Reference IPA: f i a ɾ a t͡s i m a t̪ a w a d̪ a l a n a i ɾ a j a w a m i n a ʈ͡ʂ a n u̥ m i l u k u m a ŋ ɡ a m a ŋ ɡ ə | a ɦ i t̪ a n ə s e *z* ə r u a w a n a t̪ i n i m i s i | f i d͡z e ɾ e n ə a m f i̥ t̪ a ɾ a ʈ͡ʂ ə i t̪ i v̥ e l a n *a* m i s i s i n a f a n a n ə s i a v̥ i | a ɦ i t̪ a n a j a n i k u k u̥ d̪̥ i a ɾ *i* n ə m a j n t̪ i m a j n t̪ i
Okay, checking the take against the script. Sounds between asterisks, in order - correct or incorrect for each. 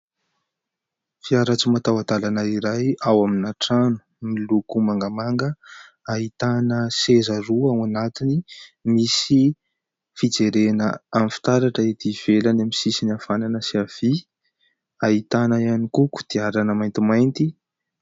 correct, correct, incorrect: a

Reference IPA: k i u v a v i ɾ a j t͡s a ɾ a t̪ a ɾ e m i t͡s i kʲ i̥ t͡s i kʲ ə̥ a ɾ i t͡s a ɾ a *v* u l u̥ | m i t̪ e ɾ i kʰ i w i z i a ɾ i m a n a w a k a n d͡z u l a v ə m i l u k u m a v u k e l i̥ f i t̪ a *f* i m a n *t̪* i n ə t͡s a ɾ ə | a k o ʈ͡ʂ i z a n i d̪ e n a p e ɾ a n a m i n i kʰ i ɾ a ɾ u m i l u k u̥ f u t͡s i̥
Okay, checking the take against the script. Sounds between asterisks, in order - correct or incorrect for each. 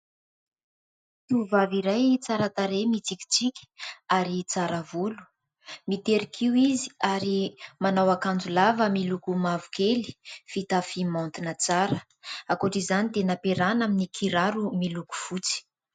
correct, correct, correct

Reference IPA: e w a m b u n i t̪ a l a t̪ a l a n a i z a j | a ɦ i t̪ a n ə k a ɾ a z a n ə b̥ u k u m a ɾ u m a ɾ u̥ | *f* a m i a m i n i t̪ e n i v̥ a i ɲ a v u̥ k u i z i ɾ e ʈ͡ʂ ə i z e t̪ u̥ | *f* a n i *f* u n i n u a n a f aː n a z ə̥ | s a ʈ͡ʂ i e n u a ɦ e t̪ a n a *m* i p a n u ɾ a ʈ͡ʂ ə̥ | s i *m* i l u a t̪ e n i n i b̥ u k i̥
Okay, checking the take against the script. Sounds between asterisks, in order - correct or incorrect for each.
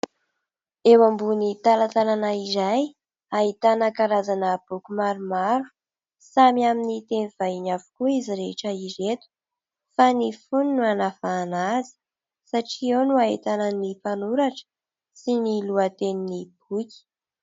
incorrect: s, correct, correct, incorrect: n, incorrect: n

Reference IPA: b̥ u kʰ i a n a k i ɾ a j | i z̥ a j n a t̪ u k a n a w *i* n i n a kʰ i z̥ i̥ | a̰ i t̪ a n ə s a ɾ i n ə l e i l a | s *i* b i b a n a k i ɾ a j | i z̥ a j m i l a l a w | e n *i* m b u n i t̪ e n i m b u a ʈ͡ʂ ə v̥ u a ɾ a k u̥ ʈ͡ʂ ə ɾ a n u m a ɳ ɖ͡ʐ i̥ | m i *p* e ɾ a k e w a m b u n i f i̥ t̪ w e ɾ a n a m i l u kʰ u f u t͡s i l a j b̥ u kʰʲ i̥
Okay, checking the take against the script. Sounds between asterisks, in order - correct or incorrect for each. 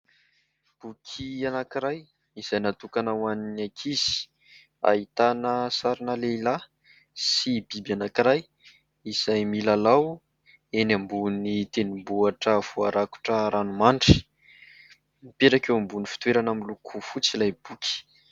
incorrect: a, correct, incorrect: a, correct

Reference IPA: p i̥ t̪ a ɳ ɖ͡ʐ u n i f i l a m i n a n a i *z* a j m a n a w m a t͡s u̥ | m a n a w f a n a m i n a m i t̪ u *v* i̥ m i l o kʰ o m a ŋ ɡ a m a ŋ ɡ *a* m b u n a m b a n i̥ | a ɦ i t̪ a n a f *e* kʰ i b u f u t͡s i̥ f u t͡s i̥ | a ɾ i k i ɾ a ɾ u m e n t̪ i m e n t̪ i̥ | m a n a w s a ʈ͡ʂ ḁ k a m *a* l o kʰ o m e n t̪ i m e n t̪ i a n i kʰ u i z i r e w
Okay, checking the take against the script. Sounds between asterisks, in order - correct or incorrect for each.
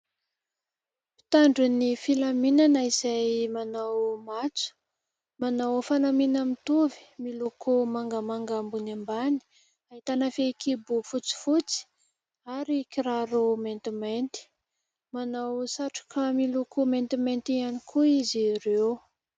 correct, correct, correct, correct, incorrect: i

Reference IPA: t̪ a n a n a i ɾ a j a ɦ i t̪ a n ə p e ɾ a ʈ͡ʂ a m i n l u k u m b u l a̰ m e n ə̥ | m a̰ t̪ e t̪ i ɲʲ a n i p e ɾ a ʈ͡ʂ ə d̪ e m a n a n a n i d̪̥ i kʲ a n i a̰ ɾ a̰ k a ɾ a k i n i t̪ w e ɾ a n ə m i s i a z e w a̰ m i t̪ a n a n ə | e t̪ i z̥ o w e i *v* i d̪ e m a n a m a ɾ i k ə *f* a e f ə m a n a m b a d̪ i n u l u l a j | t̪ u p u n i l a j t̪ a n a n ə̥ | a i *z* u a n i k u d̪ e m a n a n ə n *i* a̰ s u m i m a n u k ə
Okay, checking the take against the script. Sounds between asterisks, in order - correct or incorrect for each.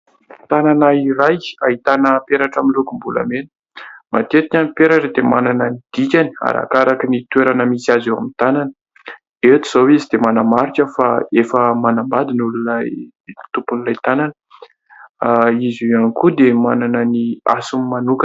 incorrect: z, correct, correct, correct

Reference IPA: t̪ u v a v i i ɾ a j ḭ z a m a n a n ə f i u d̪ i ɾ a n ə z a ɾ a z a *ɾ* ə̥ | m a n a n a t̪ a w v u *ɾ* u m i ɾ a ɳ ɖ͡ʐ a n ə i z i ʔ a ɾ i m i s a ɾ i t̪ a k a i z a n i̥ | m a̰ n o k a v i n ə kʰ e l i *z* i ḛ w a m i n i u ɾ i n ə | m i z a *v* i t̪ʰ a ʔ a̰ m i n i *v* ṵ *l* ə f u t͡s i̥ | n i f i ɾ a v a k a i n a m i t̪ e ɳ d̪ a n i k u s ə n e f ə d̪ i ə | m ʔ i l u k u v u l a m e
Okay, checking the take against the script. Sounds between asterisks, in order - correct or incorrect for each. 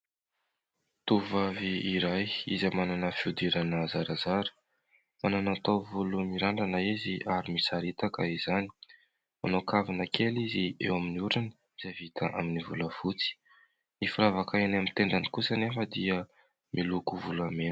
correct, incorrect: l, correct, correct, correct, correct

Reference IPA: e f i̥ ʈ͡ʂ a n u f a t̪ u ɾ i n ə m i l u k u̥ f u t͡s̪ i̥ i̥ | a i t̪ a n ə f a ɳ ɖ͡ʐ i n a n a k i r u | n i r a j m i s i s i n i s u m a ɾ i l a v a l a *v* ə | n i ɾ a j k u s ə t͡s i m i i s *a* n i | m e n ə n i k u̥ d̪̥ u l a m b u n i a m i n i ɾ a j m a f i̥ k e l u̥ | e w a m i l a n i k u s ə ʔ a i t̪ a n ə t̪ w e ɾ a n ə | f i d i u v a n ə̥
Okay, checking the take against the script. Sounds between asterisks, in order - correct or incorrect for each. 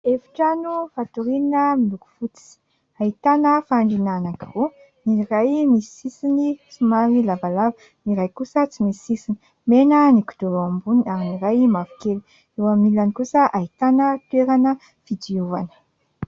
correct, incorrect: i

